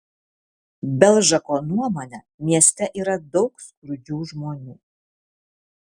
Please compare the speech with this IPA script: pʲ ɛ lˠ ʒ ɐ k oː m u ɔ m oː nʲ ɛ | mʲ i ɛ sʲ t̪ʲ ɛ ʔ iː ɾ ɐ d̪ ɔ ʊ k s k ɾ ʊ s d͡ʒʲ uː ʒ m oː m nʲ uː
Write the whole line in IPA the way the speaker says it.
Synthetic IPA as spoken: bʲ ɛ lˠ ʒ ɐ k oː n u ɔ m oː nʲ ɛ | mʲ i ɛ sʲ t̪ʲ ɛ ʔ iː ɾ ɐ d̪ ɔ ʊ k s k ɾ ʊ d͡ʒʲ uː ʒ m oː nʲ uː